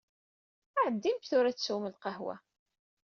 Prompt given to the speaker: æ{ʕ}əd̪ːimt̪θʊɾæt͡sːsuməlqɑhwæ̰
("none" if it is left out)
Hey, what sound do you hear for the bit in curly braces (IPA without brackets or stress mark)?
ʕ